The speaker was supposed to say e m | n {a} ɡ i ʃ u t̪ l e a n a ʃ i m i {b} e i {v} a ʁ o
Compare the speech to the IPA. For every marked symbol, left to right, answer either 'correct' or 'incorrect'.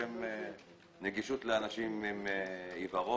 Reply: incorrect: e, incorrect: m, correct

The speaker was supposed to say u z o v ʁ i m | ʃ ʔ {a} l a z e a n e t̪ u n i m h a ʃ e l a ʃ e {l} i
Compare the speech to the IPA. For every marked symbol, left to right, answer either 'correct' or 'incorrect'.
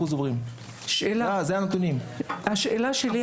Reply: incorrect: e, correct

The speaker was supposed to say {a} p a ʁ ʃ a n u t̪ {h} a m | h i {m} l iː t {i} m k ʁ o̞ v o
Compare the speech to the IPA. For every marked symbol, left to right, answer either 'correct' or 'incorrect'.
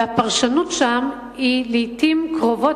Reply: correct, incorrect: ʃ, incorrect: none, correct

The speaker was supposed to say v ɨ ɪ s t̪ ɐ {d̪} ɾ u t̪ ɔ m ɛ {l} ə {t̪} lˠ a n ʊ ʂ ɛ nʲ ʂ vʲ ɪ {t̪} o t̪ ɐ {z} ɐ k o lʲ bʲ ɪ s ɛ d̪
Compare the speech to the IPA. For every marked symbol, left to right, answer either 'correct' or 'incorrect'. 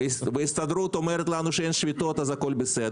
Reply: correct, incorrect: ɾ, correct, correct, correct

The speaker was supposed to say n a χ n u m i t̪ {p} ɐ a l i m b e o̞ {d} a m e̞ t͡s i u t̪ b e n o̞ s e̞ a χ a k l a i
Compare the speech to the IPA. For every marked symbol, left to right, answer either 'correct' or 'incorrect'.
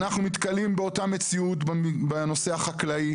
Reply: incorrect: k, incorrect: t

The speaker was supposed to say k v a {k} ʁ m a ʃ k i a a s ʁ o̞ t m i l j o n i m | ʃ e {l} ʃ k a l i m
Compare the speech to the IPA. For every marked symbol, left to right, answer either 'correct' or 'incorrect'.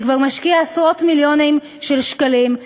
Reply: incorrect: none, correct

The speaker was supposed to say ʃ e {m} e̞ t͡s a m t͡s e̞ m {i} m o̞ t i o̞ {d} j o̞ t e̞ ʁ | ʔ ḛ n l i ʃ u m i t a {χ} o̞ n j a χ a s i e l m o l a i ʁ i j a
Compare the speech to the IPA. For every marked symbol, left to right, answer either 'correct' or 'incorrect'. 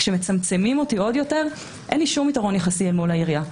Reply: correct, correct, correct, incorrect: ʁ

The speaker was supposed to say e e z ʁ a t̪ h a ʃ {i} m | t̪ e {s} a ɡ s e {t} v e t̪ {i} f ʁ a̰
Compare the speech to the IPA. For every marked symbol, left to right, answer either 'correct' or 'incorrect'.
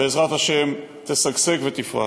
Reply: incorrect: e, correct, incorrect: k, correct

